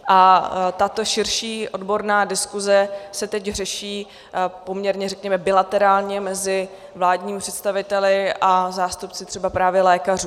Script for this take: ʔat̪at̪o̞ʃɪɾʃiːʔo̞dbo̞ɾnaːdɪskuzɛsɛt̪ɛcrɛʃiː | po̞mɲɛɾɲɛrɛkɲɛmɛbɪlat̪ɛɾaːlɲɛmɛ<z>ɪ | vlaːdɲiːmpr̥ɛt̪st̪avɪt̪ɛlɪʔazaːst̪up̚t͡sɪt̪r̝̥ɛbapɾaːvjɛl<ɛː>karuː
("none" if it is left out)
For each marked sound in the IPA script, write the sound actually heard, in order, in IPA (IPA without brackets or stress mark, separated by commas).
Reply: z, ɛː